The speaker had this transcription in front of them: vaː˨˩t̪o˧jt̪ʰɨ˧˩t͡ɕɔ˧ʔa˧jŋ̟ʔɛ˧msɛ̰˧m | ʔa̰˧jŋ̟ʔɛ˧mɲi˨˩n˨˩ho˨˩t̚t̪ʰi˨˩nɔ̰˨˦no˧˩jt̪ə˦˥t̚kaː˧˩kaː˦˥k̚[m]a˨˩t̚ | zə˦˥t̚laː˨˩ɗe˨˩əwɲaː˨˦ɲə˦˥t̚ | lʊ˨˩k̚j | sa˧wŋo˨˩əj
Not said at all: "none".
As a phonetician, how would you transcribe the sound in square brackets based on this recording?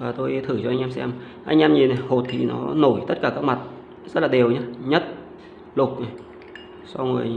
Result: m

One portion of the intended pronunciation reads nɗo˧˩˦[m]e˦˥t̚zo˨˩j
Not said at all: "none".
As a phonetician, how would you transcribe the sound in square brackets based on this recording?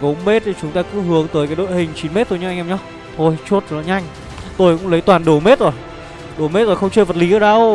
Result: m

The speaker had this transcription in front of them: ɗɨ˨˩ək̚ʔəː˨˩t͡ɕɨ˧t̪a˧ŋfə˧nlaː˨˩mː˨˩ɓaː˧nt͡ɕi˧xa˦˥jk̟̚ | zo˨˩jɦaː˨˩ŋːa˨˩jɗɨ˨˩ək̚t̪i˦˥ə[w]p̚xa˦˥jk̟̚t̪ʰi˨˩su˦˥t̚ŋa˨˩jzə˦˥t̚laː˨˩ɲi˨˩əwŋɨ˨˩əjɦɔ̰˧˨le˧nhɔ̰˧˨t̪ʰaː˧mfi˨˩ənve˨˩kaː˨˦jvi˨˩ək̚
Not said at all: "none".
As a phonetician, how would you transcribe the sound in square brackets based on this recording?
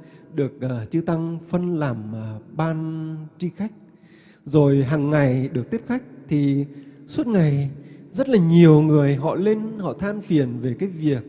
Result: none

